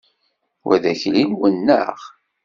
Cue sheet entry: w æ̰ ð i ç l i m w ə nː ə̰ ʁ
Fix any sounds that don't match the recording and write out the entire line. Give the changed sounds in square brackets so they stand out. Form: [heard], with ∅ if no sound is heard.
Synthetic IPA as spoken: w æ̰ ð [æ] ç l i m w ə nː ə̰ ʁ